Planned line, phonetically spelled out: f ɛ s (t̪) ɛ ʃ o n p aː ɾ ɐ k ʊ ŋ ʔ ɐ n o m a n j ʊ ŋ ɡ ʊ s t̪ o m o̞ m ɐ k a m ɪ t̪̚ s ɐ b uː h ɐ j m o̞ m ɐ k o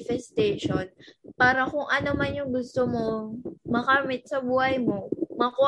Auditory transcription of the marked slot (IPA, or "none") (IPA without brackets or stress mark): t̪